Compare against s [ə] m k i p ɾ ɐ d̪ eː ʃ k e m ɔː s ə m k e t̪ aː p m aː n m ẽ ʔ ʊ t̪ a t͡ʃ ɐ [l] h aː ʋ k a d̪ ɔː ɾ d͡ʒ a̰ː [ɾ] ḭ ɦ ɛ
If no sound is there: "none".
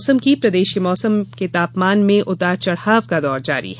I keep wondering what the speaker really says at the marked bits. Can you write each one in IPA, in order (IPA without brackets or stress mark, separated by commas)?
ə, ɽ, ɾ